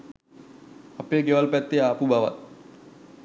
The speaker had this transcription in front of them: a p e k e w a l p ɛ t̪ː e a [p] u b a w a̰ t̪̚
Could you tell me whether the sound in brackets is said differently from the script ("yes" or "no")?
no